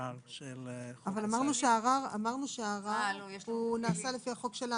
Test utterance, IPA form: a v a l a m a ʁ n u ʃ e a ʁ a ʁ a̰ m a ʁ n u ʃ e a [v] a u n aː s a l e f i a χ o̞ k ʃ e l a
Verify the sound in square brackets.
incorrect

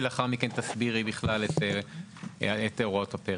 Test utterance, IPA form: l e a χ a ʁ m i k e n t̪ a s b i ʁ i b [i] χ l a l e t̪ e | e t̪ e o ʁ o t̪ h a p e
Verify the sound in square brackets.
correct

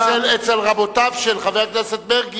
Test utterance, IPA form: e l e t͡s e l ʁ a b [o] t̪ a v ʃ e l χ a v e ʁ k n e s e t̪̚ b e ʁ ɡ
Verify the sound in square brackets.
correct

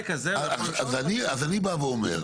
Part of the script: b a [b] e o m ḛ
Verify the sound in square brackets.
incorrect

